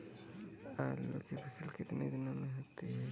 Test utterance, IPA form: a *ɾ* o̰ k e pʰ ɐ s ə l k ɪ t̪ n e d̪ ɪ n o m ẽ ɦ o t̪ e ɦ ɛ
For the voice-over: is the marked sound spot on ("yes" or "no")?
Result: no